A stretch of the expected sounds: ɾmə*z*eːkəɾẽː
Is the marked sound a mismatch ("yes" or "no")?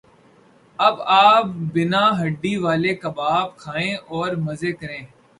no